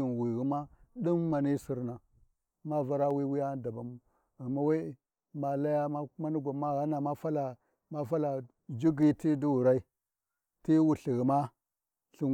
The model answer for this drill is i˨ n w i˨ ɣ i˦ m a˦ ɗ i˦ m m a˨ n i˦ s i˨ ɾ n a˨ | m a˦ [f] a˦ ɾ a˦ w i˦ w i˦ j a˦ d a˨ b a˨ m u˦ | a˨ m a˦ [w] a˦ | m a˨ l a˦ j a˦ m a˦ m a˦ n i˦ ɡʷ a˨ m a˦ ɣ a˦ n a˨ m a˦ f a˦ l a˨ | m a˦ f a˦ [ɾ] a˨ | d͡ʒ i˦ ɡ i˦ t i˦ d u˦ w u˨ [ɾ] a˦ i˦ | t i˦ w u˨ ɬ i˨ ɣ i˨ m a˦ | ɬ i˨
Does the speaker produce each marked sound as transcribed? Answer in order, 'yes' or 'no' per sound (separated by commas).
no, yes, no, yes